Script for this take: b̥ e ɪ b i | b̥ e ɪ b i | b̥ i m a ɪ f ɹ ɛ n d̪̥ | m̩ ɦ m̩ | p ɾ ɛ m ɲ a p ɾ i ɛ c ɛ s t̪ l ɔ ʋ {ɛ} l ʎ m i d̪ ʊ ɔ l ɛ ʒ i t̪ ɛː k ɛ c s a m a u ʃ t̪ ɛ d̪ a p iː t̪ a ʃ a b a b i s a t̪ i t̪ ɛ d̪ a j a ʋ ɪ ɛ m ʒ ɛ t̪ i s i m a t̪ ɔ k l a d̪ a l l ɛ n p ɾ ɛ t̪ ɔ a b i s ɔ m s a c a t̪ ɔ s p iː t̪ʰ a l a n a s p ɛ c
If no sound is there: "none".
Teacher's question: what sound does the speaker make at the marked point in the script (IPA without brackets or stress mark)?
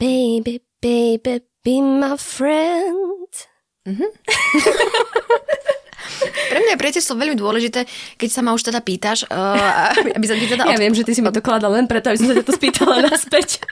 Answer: ɛ